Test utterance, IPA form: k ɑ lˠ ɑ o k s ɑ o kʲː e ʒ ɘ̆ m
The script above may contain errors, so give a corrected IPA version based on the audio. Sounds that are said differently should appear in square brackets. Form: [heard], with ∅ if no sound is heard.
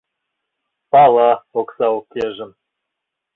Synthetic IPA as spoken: [p] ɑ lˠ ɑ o k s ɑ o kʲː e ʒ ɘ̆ m